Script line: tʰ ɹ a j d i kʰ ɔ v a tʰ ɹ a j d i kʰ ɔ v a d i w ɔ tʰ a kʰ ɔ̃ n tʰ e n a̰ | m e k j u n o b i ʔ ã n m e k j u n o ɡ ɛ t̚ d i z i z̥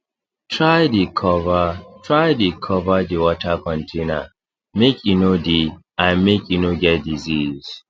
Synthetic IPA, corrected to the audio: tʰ ɹ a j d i kʰ ɔ v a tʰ ɹ a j d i kʰ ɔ v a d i w ɔ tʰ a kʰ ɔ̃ n tʰ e n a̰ | m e k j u n o d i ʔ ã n m e k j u n o ɡ ɛ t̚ d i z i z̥